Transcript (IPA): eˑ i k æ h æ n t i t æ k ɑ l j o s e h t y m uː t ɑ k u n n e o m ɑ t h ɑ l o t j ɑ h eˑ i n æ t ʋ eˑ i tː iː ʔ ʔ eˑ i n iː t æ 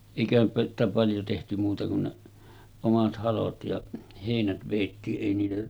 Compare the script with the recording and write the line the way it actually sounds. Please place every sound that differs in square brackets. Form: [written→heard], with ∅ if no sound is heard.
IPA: eˑ i k æ h æ n [t→s] i t æ [k→p] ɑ l j o [s→t] e h t y m uː t ɑ k u n n e o m ɑ t h ɑ l o t j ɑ h eˑ i n æ t ʋ eˑ i tː iː ʔ ʔ eˑ i n iː t æ